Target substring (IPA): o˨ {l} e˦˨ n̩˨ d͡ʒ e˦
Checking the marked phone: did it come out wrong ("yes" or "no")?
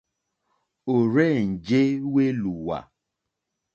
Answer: yes